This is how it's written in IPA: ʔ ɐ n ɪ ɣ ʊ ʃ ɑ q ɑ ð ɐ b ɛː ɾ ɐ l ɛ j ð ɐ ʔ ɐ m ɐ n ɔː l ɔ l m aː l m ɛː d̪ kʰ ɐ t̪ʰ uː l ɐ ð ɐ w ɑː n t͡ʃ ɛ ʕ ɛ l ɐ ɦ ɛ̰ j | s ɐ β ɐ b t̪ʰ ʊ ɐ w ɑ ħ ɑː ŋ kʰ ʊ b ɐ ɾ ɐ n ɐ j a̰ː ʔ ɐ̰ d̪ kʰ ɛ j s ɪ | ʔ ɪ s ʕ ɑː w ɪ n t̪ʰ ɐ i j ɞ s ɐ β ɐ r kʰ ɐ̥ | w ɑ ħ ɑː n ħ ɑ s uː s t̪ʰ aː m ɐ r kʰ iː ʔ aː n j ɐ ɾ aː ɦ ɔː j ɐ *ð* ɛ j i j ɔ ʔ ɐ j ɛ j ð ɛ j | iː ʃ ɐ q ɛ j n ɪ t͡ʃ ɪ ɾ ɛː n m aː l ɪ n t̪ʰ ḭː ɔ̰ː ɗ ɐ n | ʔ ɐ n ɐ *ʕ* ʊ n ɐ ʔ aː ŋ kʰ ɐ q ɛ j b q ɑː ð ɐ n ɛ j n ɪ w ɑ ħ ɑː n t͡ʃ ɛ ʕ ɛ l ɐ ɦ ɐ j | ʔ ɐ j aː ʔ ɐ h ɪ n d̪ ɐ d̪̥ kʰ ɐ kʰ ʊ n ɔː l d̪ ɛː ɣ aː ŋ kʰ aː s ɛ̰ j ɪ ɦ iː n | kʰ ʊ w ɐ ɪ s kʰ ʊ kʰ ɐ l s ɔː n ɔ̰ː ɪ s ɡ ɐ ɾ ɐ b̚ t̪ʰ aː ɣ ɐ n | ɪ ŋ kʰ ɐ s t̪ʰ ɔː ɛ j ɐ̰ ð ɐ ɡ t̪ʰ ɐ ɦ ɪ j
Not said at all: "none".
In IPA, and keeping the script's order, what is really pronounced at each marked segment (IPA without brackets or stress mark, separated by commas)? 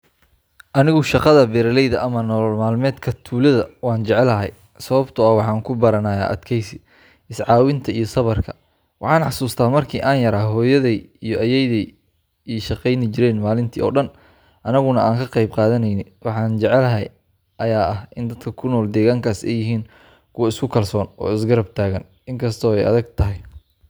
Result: ð, ɣ